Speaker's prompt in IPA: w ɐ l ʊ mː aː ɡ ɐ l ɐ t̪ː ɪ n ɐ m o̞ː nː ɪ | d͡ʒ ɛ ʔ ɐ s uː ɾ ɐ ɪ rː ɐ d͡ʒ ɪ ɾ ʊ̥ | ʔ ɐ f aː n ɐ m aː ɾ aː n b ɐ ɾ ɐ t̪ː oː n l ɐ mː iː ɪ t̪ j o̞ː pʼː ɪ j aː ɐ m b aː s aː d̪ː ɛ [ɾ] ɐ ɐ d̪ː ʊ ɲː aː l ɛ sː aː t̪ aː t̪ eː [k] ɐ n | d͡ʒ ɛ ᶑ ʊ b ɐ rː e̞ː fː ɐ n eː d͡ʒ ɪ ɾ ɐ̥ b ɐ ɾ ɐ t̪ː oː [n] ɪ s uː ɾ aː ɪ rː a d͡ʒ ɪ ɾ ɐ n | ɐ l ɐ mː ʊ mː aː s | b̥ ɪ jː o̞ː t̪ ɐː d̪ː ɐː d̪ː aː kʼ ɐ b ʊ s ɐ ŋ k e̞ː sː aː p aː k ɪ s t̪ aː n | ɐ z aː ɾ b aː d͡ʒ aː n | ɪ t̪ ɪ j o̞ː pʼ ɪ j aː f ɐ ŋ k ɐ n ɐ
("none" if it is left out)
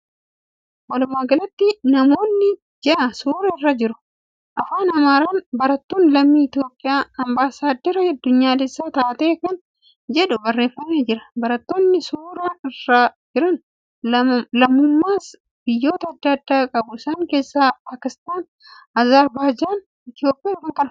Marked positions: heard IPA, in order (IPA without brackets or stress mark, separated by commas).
ɾ, k, nː